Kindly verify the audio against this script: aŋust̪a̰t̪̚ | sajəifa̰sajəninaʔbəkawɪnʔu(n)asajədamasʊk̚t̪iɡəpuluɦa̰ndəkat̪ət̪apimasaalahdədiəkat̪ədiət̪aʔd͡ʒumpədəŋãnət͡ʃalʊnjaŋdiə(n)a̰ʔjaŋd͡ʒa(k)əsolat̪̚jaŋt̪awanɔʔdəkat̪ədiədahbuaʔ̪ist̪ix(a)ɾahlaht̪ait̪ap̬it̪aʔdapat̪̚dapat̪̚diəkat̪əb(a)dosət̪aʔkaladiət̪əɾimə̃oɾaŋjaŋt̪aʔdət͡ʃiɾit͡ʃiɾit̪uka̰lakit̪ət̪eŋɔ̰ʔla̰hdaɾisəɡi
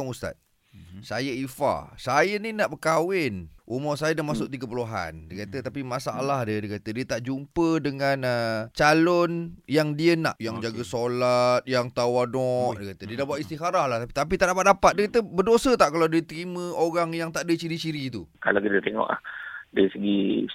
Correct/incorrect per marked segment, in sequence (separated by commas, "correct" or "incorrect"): incorrect, correct, incorrect, correct, incorrect